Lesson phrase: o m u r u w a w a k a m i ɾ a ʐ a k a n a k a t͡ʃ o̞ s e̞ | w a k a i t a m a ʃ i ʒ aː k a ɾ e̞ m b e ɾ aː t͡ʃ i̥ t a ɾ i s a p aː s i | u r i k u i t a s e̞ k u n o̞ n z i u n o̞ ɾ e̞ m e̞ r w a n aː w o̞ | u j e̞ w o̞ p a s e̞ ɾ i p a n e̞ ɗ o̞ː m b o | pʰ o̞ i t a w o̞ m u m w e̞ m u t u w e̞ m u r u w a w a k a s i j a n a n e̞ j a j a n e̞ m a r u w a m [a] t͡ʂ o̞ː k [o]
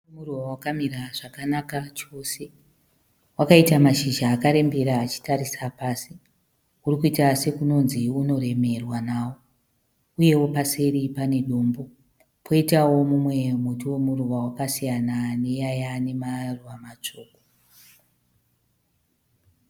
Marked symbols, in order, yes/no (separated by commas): yes, yes